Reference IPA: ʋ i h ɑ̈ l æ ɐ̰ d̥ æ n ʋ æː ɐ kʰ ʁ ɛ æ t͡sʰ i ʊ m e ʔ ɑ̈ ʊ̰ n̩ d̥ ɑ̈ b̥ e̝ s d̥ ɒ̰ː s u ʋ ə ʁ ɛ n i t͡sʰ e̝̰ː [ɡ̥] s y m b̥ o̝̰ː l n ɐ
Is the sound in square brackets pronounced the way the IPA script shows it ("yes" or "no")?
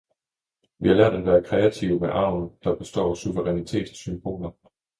no